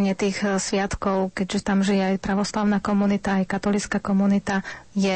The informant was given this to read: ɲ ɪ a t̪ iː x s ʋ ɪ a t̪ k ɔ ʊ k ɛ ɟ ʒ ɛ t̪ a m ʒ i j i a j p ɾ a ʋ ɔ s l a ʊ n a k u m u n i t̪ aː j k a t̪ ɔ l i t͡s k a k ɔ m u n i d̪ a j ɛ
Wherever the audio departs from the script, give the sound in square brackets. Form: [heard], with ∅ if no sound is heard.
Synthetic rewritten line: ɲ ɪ [ɛ] t̪ iː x s ʋ ɪ a t̪ k ɔ ʊ k ɛ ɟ ʒ ɛ t̪ a m ʒ i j [ɛ] a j p ɾ a ʋ ɔ s l a ʊ n a k [ɔ] m u n i t̪ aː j k a t̪ ɔ l i t͡s k a k ɔ m u n i [t̪] a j ɛ